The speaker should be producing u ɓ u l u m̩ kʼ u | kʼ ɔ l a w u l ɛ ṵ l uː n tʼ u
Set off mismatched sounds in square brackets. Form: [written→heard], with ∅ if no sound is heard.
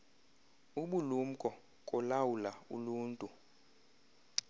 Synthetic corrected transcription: u ɓ u l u m̩ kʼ [u→ɔ] | kʼ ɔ l a w u l [ɛ→a] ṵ l uː n tʼ u